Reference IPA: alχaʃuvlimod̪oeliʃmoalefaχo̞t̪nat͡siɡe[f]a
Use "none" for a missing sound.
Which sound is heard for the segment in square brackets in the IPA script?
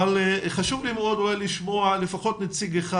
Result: χ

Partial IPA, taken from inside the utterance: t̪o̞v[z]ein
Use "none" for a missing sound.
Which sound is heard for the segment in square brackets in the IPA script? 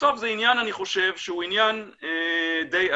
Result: z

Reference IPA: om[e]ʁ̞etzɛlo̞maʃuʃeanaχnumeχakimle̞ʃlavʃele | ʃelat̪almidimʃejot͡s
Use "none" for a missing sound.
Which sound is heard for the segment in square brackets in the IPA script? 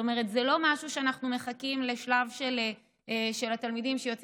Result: e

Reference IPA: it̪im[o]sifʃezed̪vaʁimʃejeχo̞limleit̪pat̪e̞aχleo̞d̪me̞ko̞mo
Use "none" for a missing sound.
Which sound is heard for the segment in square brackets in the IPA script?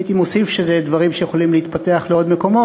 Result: o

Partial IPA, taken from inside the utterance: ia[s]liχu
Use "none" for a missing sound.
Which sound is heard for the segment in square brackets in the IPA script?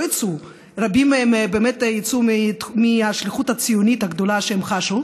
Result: ʃ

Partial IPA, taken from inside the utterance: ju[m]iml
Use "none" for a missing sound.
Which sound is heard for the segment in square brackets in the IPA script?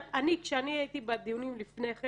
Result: n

